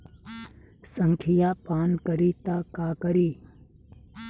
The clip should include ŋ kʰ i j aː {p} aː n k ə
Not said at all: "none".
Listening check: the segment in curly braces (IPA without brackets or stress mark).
p